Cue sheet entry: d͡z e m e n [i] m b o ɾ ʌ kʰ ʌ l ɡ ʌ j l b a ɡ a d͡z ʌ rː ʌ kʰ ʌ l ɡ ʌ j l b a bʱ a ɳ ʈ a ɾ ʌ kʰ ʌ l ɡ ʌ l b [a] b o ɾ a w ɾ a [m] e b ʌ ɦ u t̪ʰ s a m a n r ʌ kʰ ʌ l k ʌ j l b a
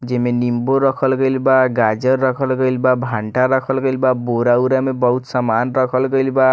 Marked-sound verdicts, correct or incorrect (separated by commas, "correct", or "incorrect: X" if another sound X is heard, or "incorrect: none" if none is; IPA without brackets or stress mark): correct, correct, correct